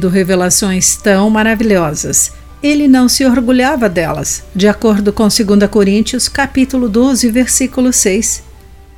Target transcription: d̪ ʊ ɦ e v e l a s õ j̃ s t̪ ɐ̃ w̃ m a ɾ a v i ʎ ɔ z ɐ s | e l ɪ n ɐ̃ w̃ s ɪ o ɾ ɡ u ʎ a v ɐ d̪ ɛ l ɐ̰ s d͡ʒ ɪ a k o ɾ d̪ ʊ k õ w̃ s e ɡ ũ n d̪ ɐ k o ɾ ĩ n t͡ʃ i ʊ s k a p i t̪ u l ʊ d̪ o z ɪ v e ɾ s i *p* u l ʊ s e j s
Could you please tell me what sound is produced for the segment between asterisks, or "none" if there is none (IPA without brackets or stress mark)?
k